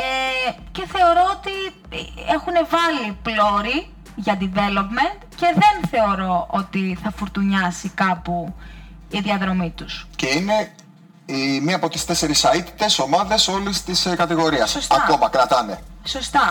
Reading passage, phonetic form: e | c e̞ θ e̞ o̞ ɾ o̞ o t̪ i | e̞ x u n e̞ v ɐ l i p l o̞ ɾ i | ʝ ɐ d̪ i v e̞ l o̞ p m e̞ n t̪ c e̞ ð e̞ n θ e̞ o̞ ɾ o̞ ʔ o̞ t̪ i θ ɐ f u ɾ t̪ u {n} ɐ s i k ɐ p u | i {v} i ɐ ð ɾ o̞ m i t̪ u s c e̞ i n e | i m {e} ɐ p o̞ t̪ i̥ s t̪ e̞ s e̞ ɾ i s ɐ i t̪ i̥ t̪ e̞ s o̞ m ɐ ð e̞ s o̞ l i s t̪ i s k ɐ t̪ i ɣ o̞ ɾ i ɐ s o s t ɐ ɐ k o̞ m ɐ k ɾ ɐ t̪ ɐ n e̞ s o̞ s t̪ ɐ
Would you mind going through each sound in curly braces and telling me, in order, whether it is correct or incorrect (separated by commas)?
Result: incorrect, incorrect, incorrect